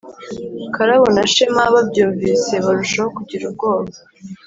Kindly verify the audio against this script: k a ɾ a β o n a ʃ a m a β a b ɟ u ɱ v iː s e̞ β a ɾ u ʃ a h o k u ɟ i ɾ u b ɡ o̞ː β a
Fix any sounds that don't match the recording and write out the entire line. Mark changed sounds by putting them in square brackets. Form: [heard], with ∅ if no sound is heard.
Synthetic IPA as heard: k a ɾ a β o n a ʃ [e] m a β a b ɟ [uː] ɱ v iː s e̞ β a ɾ u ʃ a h o k u ɟ i ɾ u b ɡ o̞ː β a